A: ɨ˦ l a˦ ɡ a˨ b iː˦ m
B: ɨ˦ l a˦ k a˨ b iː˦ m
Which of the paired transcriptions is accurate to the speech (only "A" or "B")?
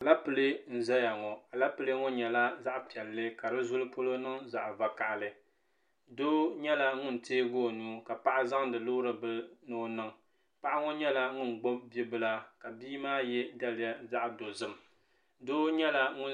B